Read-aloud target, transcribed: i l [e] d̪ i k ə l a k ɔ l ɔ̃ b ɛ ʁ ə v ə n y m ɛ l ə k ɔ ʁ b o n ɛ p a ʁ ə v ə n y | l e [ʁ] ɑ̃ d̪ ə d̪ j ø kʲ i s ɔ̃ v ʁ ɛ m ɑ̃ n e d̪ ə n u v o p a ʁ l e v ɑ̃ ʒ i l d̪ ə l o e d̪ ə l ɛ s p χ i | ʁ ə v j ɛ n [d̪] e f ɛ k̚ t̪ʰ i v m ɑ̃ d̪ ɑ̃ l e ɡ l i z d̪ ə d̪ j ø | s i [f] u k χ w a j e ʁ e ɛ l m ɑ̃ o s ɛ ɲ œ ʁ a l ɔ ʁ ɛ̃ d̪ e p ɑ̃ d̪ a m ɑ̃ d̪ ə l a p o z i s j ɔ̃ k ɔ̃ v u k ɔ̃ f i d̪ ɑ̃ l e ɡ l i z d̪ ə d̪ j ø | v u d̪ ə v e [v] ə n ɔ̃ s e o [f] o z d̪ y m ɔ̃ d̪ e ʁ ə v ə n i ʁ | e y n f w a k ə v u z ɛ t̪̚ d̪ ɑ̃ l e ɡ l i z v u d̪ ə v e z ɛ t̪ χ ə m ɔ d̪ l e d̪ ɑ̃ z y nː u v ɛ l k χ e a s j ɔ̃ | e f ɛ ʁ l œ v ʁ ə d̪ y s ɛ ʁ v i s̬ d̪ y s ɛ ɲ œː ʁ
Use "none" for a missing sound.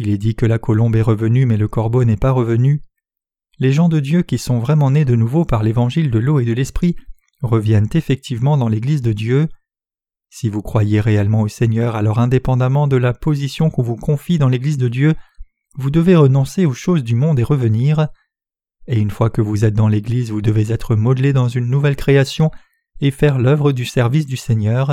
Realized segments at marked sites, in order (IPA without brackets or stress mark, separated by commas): ɛ, ʒ, t̪, v, ʁ, ʃ